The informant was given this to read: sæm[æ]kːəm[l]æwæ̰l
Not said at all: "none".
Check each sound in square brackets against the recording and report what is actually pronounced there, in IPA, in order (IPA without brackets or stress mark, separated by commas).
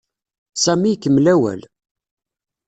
i, l